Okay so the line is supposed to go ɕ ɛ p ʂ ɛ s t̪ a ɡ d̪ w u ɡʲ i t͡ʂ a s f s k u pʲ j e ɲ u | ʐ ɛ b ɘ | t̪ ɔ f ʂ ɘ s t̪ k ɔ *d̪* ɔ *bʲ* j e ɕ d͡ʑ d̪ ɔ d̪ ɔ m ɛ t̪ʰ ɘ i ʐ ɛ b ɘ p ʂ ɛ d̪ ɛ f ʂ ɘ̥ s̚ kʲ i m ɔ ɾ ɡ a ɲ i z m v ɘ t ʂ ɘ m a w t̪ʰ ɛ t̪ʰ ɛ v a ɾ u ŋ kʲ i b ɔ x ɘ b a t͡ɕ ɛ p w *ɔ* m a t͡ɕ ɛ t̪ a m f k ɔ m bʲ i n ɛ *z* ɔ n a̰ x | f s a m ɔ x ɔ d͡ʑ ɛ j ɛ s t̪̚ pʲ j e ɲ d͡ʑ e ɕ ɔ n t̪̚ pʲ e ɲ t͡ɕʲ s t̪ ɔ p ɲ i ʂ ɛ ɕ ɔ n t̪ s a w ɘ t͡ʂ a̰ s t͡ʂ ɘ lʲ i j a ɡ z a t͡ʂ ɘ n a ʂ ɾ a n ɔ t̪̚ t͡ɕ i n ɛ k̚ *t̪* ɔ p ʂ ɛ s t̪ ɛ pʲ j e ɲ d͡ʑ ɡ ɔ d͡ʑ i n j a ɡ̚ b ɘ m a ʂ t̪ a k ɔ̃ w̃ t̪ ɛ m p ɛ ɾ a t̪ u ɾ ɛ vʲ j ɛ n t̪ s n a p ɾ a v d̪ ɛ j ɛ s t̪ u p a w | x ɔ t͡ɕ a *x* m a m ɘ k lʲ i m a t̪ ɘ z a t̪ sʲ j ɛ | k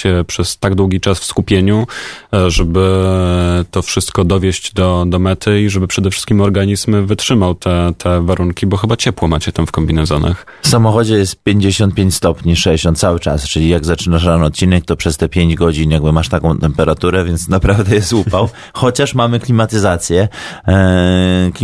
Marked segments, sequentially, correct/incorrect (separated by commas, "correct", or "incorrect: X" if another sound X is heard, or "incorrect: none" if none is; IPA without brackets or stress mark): correct, incorrect: vʲ, correct, correct, correct, incorrect: ʂ